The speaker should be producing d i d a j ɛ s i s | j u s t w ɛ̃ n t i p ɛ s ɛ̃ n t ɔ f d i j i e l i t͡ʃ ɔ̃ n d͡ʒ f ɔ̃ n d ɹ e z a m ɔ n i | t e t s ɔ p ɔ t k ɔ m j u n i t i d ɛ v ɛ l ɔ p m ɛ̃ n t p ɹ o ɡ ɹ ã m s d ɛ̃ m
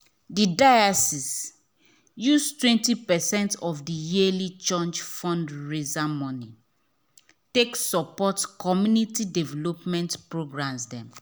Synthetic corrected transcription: d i d a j a s i s | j u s t w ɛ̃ n t i p ɛ s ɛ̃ n t ɔ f d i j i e l i t͡ʃ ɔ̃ n d͡ʒ f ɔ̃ n d ɹ e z a m ɔ n i | t e k s ɔ p ɔ t k ɔ m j u n i t i d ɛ v ɛ l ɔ p m ɛ̃ n t p ɹ o ɡ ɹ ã m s d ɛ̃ m